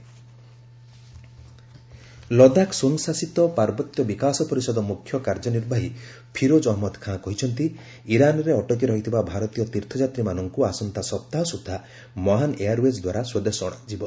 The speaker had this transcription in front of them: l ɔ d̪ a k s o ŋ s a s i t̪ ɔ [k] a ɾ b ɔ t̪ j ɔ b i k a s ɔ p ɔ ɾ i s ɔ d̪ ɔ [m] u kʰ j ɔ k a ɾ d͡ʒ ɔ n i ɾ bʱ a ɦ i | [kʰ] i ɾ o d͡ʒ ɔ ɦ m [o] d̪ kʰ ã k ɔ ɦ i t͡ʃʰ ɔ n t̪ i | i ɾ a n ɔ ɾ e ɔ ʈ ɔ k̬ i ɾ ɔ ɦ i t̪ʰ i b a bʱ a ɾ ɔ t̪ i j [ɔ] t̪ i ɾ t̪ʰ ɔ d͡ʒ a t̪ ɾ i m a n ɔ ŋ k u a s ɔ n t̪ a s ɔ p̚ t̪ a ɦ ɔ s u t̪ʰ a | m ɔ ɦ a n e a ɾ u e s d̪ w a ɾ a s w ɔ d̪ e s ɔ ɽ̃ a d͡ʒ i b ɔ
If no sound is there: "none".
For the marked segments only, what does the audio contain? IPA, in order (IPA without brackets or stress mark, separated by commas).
p, m, pʰ, ɔ, ɔ